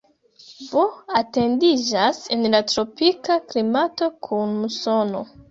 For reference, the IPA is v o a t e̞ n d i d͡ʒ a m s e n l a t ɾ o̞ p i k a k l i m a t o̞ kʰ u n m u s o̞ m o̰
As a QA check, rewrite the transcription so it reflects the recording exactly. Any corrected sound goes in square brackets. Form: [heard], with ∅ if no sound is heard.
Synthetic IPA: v o a t e̞ n d i d͡ʒ a [∅] s e n l a t ɾ o̞ p i k a k l i m a t o̞ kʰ u n m u s o̞ [n] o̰